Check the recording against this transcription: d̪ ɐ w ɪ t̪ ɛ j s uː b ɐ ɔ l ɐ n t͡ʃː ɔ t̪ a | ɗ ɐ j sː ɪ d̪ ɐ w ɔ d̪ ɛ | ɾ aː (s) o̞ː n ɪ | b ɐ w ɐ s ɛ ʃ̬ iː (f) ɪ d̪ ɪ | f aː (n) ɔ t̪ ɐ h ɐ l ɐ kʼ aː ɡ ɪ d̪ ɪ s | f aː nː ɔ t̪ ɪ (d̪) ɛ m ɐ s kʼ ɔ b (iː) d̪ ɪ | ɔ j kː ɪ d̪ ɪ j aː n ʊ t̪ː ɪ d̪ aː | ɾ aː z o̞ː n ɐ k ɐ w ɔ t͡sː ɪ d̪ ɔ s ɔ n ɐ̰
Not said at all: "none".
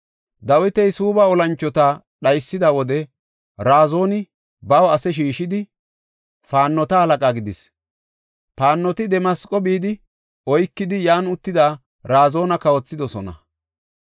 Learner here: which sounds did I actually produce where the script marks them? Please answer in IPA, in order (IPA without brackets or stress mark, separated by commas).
z, ʃ, nː, d̪, iː